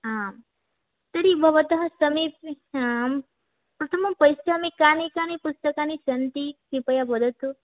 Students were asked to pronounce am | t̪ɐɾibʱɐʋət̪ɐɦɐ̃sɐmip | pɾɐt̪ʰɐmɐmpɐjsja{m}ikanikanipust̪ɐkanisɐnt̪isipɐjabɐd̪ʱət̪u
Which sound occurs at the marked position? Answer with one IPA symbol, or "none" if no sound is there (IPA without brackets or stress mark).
m